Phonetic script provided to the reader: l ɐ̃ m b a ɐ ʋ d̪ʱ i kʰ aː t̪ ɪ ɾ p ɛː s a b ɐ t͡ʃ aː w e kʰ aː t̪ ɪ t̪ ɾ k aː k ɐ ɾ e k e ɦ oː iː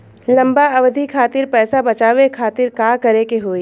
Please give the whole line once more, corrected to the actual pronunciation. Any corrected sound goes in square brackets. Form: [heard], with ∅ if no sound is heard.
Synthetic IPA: l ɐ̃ m b a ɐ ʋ d̪ʱ i kʰ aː t̪ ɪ ɾ p ɛː s a b ɐ t͡ʃ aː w e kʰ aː t̪ ɪ [∅] ɾ k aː k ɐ ɾ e k e ɦ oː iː